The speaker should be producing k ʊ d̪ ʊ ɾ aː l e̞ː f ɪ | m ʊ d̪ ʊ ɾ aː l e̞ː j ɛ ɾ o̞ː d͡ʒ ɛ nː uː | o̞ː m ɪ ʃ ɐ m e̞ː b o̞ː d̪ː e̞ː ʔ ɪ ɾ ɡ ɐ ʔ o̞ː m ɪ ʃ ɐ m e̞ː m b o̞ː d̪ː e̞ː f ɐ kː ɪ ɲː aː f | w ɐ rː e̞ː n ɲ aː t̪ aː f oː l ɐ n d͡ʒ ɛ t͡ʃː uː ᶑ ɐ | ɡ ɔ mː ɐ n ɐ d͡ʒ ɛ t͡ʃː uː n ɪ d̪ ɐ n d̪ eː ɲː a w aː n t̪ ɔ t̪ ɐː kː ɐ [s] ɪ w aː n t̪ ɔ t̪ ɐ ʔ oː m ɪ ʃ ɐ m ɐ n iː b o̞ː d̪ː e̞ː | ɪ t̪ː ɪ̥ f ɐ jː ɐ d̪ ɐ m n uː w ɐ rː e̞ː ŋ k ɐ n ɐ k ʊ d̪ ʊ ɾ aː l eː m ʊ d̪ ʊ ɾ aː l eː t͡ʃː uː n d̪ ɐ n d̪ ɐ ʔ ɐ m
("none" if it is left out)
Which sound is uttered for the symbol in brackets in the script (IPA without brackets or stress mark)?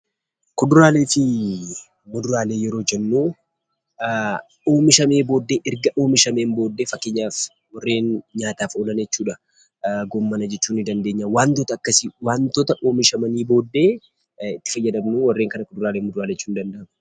s